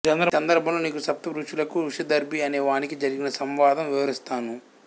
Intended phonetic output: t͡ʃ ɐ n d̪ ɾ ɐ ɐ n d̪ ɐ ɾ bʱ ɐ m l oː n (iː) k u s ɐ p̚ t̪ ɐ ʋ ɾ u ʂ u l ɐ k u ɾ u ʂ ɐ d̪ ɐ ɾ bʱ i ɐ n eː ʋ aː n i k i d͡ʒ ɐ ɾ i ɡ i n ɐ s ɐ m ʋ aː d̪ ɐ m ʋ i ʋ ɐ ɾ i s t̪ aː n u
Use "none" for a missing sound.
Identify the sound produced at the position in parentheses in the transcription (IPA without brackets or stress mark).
iː